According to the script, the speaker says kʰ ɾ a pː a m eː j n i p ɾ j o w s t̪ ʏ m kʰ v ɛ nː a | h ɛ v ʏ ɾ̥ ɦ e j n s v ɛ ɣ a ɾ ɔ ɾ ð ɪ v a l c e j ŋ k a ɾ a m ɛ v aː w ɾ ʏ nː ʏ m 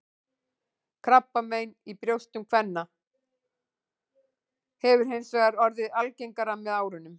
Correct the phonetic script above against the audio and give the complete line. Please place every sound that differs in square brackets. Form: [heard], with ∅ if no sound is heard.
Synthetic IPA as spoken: kʰ ɾ a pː a m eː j n i p ɾ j o w s t̪ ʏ m kʰ v ɛ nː a | h ɛ v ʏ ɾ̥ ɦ e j n s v ɛ ɣ a ɾ ɔ ɾ ð ɪ [ð] a l c e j ŋ k a ɾ a m ɛ [ð] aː w ɾ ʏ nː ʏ m